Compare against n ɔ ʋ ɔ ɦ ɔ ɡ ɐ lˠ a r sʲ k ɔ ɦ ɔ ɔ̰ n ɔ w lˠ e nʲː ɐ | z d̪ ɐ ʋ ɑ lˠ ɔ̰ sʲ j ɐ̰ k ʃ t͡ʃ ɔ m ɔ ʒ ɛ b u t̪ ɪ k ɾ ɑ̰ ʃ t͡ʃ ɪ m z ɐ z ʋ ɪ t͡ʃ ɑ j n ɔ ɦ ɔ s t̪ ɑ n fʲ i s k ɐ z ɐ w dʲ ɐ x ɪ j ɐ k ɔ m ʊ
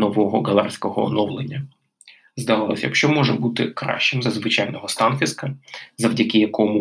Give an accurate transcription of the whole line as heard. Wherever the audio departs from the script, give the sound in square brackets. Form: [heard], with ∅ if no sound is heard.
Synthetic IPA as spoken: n ɔ ʋ ɔ ɦ ɔ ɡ ɐ lˠ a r sʲ k ɔ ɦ ɔ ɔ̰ n ɔ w lˠ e nʲː ɐ | z d̪ ɐ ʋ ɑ lˠ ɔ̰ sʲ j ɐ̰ k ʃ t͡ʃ ɔ m ɔ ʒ ɛ b u t̪ ɪ k ɾ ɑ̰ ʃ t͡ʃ ɪ m z ɐ z ʋ ɪ t͡ʃ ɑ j n ɔ ɦ ɔ s t̪ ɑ n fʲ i s k ɐ z ɐ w dʲ ɐ [k] ɪ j ɐ k ɔ m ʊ